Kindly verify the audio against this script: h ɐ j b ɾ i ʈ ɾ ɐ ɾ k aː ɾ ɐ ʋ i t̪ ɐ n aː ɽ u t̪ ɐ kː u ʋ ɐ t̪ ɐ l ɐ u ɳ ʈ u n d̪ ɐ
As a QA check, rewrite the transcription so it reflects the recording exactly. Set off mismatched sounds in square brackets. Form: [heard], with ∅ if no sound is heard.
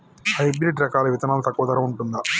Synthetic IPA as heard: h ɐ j b ɾ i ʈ ɾ ɐ [∅] k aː [l] ɐ ʋ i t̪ ɐ n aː [l] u t̪ ɐ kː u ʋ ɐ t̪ ɐ [ɾ] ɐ u ɳ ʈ u n d̪ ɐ